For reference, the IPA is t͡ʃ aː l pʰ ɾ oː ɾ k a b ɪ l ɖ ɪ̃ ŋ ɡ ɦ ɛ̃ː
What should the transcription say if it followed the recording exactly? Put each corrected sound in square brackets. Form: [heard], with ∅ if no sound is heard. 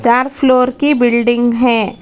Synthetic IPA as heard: t͡ʃ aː [ɾ] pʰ [l] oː ɾ k [i] b ɪ l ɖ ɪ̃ ŋ ɡ ɦ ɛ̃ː